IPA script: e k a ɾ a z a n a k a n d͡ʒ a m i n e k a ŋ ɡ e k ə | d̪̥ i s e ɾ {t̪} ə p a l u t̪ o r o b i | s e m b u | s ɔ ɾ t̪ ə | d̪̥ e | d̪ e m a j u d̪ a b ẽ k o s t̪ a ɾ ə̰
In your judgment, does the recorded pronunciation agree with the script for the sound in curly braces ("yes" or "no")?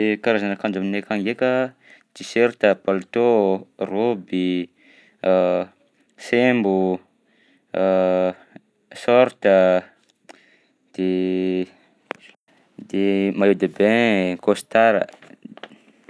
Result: yes